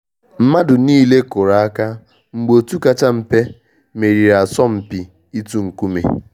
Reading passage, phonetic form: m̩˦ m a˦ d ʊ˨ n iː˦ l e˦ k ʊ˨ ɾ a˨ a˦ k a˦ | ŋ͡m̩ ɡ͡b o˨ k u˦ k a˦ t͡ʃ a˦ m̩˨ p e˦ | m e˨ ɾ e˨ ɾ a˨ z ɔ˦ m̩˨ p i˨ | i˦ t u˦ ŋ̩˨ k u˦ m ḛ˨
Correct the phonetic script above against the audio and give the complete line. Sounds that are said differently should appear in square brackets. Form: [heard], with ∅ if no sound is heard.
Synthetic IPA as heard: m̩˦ m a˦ d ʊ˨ n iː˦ l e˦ k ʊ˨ ɾ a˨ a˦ k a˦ | ŋ͡m̩ ɡ͡b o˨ [t] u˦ k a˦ t͡ʃ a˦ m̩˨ p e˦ | m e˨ ɾ [i˨] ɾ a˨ [s] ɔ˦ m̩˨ p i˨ | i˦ t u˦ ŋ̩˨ k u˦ m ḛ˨